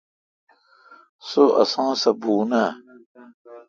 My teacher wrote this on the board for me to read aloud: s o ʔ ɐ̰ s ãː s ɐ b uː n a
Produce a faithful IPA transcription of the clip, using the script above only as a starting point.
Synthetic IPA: s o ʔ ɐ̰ s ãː s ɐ b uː n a